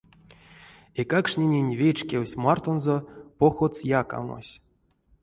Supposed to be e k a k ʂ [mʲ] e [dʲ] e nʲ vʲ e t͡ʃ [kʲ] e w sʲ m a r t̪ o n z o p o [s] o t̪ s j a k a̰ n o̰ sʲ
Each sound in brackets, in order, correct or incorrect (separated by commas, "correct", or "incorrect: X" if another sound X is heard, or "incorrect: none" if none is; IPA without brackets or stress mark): incorrect: nʲ, incorrect: nʲ, correct, incorrect: x